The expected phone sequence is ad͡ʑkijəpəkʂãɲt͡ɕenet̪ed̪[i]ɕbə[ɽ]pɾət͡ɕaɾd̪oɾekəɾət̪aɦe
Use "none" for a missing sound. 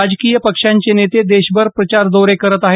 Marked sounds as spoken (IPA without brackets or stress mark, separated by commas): e, ɾ